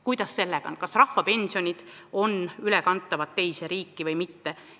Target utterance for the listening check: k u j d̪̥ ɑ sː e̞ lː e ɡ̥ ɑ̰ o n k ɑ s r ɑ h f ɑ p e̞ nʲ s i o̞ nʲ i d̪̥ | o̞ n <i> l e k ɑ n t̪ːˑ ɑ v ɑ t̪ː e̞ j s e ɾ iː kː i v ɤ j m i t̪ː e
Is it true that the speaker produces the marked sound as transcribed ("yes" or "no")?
no